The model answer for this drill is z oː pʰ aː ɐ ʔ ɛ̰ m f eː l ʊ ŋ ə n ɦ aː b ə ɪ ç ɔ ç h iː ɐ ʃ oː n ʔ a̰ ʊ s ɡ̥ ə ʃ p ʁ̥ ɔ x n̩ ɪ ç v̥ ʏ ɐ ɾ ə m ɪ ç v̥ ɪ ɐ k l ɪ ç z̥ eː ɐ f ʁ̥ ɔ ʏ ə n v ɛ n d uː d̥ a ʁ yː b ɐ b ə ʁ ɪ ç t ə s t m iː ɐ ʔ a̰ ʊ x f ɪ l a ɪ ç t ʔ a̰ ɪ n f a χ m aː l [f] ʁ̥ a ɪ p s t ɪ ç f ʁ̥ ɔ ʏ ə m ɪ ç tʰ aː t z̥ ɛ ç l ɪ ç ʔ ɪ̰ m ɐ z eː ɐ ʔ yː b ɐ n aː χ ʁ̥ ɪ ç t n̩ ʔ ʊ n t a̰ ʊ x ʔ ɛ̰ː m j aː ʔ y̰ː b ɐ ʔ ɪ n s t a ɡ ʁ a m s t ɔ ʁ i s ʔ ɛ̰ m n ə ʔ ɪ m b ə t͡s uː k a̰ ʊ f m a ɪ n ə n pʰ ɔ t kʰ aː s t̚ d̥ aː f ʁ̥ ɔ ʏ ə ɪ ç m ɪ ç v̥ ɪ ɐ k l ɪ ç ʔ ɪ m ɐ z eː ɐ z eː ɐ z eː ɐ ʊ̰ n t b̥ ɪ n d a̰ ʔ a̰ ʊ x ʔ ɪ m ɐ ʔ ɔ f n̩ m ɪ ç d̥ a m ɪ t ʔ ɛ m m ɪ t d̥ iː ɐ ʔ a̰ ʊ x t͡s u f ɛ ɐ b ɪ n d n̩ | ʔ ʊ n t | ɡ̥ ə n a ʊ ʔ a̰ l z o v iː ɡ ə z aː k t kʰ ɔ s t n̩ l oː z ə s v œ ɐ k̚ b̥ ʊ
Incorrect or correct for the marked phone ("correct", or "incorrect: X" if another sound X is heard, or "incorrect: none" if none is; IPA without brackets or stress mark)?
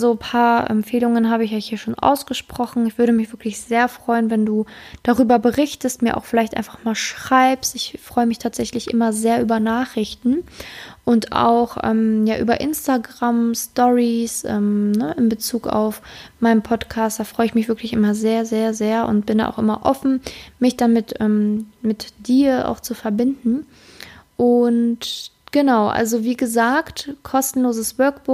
incorrect: ʃ